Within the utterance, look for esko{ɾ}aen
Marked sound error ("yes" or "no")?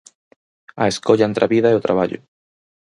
yes